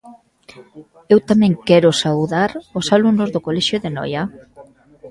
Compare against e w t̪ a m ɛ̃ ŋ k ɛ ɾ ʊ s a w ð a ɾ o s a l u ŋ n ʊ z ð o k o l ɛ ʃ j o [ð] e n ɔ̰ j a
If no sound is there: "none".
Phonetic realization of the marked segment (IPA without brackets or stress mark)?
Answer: ð